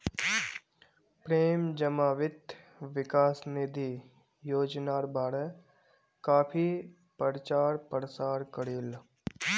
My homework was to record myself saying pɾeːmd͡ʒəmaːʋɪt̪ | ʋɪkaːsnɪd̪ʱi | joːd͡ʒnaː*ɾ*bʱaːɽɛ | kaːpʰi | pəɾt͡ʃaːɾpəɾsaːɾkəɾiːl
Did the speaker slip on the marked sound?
no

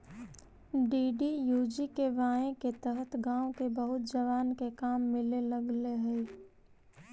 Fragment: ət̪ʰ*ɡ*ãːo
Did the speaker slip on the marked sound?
no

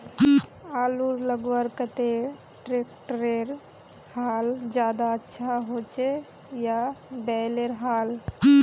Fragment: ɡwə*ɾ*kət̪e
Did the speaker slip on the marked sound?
no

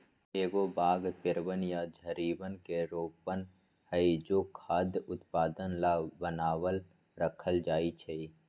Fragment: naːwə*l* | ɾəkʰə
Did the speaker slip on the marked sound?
no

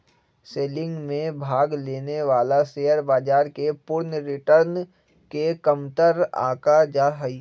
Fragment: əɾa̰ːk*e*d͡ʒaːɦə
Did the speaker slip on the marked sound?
yes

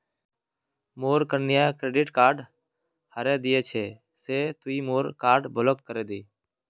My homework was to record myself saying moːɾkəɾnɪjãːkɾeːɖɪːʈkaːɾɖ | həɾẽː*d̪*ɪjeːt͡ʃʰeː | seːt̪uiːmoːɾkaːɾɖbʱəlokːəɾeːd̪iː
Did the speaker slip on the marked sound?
no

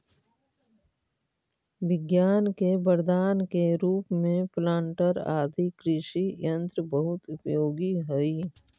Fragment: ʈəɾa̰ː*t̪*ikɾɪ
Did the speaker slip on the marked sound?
yes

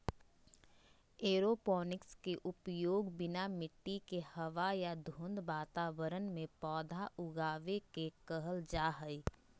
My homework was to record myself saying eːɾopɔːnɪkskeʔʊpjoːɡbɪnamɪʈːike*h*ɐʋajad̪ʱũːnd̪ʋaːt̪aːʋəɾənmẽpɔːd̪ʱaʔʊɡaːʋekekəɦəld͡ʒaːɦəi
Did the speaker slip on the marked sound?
no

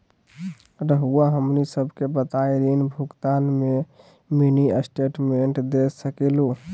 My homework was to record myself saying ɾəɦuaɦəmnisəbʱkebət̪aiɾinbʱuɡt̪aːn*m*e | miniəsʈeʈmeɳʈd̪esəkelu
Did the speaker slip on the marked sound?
no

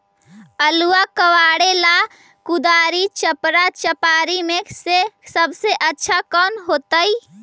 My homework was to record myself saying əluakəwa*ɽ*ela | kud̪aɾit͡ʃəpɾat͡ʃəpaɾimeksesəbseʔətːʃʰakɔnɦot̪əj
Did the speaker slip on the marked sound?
no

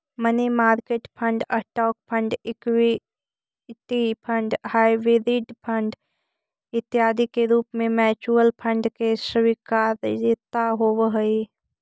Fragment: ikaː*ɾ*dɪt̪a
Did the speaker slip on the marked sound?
no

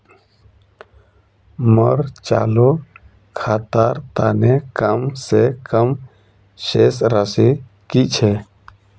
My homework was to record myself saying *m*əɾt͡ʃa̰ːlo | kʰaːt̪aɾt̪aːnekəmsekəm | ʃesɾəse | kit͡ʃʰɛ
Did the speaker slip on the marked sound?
no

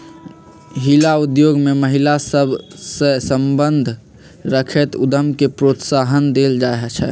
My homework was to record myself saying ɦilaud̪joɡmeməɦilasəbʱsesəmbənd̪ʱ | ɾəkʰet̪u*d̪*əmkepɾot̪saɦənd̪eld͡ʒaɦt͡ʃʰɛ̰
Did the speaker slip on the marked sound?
no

